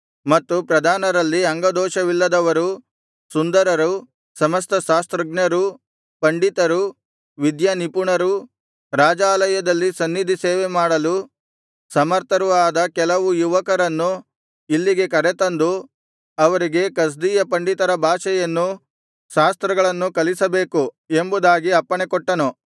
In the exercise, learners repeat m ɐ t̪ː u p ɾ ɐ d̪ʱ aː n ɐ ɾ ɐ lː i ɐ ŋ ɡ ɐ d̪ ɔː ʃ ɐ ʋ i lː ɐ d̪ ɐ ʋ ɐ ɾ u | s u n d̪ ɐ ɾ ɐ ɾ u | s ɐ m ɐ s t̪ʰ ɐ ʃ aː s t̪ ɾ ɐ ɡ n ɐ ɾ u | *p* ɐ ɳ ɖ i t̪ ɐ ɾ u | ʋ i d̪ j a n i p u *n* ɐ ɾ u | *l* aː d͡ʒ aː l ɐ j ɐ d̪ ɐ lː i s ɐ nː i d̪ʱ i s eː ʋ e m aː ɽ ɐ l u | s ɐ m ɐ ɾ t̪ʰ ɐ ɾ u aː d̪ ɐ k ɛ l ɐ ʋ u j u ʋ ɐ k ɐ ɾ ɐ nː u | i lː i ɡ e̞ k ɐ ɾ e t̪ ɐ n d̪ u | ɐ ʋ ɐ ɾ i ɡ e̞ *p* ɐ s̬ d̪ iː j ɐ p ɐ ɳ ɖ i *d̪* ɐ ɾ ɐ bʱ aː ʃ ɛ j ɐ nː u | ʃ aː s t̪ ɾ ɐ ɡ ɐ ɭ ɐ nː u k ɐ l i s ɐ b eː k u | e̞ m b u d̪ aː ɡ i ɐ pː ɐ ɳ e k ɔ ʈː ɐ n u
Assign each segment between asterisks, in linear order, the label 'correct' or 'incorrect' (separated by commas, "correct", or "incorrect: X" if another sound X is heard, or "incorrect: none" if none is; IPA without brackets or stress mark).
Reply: correct, incorrect: ɳ, incorrect: ɾ, incorrect: k, incorrect: t̪